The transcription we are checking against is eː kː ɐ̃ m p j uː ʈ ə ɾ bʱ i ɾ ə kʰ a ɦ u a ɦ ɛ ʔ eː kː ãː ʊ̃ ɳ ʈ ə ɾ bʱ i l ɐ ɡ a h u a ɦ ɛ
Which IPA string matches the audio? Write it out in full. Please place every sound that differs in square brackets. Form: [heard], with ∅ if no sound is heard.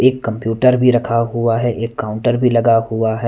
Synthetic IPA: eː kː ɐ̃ m p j uː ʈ ə ɾ bʱ i ɾ [ɐ] kʰ a ɦ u a ɦ ɛ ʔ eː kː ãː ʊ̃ ɳ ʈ ə ɾ bʱ i l ɐ ɡ a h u a ɦ ɛ